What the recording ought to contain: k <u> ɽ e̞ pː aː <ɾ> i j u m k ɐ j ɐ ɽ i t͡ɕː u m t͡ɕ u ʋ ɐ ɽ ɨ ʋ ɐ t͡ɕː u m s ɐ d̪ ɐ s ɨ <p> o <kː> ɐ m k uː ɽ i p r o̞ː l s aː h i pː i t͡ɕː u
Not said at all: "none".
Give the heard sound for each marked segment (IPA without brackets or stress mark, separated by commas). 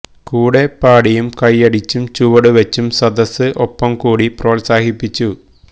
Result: uː, ɽ, ʔ, pː